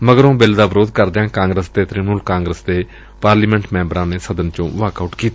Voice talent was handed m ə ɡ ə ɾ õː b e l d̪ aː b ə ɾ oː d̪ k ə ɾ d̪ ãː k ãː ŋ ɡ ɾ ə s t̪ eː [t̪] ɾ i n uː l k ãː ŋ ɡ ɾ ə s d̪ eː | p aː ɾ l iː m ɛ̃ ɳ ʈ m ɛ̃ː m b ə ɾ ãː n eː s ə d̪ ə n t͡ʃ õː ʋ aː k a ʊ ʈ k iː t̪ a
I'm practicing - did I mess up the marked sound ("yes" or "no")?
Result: no